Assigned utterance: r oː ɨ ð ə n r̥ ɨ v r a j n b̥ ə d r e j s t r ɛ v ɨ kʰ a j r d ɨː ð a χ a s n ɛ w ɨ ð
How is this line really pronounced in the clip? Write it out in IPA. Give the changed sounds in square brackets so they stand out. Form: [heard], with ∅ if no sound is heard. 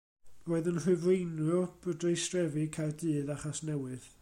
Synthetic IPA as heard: r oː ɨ ð ə n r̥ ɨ v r [e] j n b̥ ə d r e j s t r ɛ v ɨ kʰ a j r d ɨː ð a χ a s n ɛ w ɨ ð

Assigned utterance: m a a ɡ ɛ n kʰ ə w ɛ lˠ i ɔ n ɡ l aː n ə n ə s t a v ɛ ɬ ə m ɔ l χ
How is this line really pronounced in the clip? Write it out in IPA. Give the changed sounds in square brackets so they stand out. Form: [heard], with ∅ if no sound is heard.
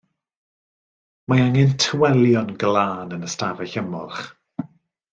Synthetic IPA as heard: m a a [ŋ] ɛ n [tʰ] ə w ɛ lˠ [j] ɔ n ɡ l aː n ə n ə s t a v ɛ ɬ ə m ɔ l χ

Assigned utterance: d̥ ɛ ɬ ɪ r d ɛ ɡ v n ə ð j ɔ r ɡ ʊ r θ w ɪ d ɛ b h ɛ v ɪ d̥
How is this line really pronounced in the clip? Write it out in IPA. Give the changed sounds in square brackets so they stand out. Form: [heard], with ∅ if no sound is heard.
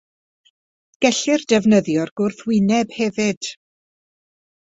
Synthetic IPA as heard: [ɡ̥] ɛ ɬ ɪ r d ɛ [∅] v n ə ð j ɔ r ɡ ʊ r θ w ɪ [n] ɛ b h ɛ v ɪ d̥

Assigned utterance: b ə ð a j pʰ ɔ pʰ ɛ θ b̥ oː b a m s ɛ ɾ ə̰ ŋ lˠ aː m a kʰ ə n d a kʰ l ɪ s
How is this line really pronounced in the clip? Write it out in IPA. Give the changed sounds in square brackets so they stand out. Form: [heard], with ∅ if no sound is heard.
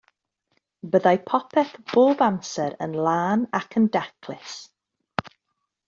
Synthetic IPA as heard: b ə ð a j pʰ ɔ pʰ ɛ θ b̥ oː b a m s ɛ ɾ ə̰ [n] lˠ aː [n] a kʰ ə n d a kʰ l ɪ s

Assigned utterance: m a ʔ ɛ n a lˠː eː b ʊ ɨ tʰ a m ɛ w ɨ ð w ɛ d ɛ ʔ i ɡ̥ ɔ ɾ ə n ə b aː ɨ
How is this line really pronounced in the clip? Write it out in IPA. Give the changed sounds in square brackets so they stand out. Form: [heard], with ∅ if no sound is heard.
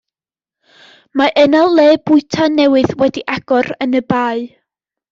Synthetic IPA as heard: m a ʔ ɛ n a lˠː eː b ʊ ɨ tʰ a [n] ɛ w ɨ ð w ɛ d [i] ʔ [a] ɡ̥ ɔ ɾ ə n ə b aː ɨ

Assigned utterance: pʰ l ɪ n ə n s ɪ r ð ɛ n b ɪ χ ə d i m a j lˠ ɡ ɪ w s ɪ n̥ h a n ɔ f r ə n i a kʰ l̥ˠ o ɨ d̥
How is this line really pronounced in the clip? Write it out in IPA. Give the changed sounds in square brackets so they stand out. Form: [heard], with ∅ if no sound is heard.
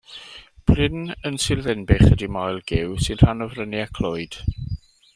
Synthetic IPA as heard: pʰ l ɪ n ə n s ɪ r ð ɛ n b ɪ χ ə d i m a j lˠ ɡ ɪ w s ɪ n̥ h a n ɔ [v] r ə n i a kʰ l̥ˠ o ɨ d̥

